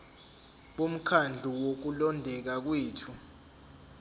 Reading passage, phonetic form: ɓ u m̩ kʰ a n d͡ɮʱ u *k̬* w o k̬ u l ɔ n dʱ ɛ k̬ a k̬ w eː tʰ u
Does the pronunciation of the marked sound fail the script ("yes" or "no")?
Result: yes